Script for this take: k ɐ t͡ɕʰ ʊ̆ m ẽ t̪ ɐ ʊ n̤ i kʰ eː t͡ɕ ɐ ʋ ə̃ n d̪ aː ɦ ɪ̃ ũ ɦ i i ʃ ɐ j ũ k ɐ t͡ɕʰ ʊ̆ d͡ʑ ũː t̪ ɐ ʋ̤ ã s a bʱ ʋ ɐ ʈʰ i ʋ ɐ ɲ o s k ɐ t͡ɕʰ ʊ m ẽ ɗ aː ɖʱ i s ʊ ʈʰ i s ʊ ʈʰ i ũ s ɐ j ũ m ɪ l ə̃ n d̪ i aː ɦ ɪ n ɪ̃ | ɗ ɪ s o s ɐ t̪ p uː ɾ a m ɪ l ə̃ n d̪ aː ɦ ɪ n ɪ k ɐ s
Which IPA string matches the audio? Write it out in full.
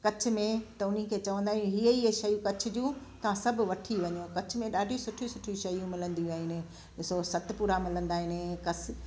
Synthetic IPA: k ɐ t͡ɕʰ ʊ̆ m ẽ t̪ ɐ ʊ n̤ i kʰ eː t͡ɕ ɐ ʋ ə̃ n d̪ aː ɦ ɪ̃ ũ ɦ i i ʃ ɐ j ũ k ɐ t͡ɕʰ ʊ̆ d͡ʑ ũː t̪ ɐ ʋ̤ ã s ɐ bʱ ʋ ɐ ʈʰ i ʋ ɐ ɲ o k ɐ t͡ɕʰ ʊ m ẽ ɗ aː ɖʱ i s ʊ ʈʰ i s ʊ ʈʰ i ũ ʃ ɐ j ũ m ɪ l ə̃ n d̪ i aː ɦ ɪ n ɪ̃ | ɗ ɪ s o s ɐ t̪ p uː ɾ a m ɪ l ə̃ n d̪ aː ɦ ɪ n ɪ k ɐ s